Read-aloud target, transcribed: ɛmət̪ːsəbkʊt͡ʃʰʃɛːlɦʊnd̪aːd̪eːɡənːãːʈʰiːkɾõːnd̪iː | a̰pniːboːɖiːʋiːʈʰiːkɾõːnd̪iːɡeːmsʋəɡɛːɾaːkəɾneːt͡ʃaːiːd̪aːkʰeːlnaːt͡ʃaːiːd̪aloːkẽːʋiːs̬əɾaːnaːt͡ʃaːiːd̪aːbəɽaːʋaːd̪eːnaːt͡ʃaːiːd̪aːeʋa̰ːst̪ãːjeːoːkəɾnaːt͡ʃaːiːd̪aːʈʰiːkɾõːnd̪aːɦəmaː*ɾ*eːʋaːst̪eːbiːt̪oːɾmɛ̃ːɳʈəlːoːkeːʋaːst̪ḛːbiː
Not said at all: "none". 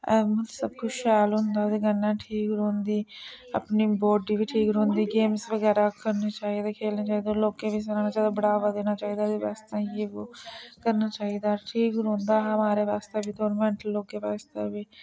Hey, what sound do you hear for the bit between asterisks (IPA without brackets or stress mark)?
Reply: ɾ